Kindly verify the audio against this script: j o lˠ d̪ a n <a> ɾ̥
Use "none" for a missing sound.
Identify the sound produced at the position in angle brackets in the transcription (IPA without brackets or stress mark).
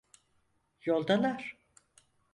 a